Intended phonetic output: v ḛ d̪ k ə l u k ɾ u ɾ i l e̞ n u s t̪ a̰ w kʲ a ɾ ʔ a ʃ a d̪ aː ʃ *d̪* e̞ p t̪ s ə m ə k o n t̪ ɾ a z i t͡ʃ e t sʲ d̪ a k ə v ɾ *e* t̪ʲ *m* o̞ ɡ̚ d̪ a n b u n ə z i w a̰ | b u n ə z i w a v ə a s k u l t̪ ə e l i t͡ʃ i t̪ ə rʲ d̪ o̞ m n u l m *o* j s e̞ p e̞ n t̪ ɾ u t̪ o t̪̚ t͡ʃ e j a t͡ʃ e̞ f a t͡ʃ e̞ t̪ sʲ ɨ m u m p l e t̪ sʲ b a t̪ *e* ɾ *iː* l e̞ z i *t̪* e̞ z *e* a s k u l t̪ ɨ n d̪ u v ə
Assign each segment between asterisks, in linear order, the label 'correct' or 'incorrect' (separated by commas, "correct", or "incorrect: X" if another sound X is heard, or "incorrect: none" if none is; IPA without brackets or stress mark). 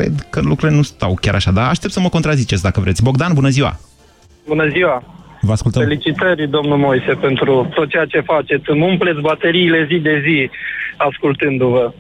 incorrect: t̪, correct, incorrect: b, correct, correct, correct, incorrect: d̪, incorrect: i